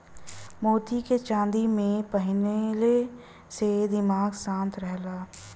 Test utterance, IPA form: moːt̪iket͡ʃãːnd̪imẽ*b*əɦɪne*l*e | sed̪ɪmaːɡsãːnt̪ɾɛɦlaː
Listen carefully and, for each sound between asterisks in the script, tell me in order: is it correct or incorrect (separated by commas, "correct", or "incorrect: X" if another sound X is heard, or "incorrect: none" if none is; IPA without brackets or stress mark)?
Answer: incorrect: p, correct